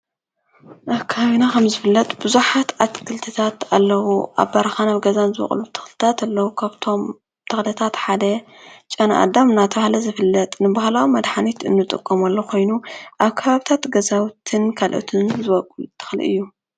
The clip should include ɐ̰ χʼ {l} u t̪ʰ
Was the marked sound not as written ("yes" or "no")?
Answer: no